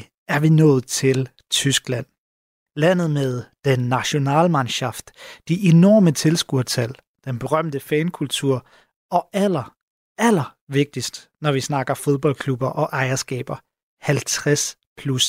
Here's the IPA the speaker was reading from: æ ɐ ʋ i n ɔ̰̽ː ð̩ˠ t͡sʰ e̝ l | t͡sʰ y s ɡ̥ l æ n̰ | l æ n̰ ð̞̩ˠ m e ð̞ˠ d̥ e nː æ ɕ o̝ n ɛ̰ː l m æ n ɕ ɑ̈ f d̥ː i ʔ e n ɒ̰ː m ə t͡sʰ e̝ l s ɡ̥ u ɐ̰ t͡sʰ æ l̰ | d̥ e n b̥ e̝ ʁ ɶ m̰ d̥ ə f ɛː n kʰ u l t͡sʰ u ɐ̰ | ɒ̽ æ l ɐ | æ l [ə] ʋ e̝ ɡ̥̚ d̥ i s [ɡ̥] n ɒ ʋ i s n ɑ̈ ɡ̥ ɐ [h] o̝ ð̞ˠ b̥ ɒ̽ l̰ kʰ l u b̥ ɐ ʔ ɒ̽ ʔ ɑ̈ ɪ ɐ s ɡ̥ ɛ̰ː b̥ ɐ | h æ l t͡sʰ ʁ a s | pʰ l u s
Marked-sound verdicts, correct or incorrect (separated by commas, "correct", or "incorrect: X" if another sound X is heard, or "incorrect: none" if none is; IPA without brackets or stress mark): incorrect: ɐ, incorrect: d̥, incorrect: f